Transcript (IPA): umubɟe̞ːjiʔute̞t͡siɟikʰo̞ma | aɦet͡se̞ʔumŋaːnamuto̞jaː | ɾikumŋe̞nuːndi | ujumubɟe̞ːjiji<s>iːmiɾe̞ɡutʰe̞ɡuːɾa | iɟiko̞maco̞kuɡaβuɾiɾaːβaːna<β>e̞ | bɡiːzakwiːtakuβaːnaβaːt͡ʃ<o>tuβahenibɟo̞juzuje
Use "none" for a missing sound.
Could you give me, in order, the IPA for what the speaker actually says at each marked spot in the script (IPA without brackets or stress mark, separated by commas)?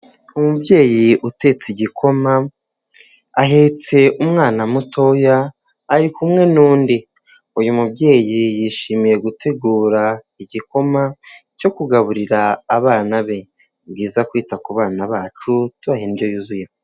ʃ, β, u